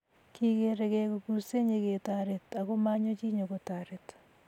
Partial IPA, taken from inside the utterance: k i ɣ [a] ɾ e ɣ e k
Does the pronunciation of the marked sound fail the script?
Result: yes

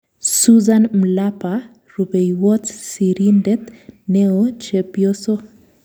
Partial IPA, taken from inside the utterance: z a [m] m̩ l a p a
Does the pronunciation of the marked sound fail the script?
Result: yes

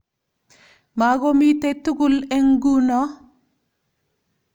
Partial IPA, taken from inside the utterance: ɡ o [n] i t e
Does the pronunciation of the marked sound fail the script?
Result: yes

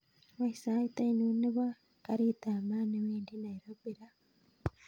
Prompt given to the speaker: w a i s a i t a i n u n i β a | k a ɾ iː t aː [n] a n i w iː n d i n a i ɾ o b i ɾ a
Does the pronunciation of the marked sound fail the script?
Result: yes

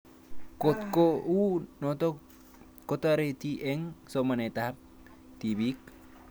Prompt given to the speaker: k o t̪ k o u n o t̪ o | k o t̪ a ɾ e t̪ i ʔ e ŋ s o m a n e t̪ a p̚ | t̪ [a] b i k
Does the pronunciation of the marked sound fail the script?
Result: yes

